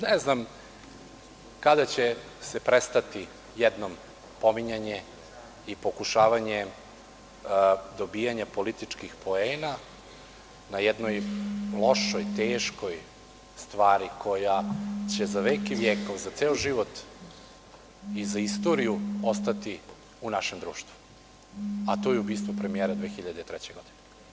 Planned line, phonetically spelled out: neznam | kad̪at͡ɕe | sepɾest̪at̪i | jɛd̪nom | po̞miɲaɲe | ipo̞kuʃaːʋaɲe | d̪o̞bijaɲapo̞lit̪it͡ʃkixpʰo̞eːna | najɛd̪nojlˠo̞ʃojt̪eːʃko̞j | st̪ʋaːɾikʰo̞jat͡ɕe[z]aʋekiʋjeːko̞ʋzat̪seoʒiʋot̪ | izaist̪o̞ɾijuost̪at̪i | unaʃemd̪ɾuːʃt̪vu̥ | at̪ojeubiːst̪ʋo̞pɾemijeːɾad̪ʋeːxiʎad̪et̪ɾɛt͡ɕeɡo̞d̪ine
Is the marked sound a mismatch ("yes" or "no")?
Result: no